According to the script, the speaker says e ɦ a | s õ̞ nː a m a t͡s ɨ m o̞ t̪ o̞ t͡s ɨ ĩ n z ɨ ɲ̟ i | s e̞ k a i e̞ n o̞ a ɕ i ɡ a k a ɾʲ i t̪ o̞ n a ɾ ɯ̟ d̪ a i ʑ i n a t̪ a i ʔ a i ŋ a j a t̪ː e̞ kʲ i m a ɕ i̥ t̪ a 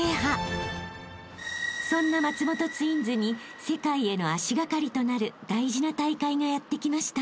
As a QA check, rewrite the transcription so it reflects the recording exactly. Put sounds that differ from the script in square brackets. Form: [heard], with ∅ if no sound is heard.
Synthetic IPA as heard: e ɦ a | s õ̞ nː a m a t͡s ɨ m o̞ t̪ o̞ t͡s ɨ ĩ n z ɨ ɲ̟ i | s e̞ k a i e̞ n o̞ a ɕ i ɡ a k a ɾʲ i t̪ o̞ n a ɾ ɯ̟ d̪ a i ʑ i n a t̪ a i [k] a i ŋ a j a t̪ː e̞ kʲ i m a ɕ i̥ t̪ a